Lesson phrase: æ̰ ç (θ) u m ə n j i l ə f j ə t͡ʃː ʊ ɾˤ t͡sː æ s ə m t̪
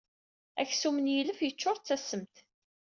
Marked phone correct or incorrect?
incorrect: s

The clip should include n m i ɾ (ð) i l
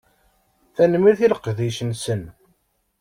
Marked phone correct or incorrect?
incorrect: θ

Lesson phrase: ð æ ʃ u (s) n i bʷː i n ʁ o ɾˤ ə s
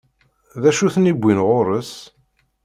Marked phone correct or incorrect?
incorrect: θ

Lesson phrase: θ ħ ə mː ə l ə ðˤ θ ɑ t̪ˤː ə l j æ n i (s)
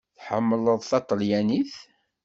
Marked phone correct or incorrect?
incorrect: θ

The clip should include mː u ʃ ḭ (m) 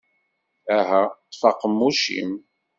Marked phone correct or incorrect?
correct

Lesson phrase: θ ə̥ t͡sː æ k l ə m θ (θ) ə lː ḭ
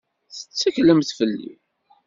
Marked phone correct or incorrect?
incorrect: f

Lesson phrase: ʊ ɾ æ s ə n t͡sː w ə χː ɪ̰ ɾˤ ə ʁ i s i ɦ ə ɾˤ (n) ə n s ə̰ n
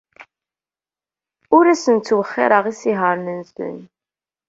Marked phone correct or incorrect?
correct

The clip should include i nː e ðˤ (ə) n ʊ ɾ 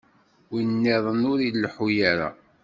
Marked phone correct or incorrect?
correct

